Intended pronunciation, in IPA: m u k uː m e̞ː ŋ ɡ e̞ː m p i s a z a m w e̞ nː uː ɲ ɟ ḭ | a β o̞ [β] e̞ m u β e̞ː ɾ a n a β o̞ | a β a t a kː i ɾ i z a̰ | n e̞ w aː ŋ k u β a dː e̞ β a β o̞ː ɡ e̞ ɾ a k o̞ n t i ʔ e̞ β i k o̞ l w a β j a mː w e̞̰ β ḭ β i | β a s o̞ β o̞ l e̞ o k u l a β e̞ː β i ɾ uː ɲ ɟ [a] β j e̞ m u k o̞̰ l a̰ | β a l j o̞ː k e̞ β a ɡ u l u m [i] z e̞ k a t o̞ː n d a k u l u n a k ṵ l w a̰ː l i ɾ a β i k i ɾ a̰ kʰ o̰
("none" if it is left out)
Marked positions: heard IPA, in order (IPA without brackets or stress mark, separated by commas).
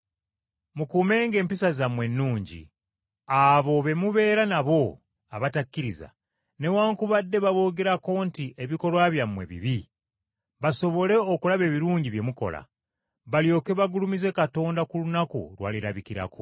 β, i, i